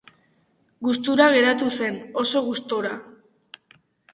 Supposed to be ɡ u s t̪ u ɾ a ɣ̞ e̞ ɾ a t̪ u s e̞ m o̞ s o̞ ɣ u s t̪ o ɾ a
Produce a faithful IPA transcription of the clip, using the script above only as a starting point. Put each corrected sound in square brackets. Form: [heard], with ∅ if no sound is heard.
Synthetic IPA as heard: ɡ u s t̪ u ɾ a ɣ̞ e̞ ɾ a t̪ u s e̞ [n] o̞ s o̞ ɣ u s t̪ o ɾ a